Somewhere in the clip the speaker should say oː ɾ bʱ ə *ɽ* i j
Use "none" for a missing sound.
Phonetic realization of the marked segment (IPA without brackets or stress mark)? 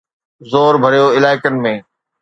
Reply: ɾ